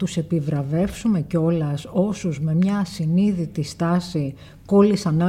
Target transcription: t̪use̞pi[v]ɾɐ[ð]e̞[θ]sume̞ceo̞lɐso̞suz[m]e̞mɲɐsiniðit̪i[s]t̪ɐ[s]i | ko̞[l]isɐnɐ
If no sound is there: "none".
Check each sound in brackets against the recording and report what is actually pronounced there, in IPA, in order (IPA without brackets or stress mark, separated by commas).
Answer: v, v, f, m, s, s, l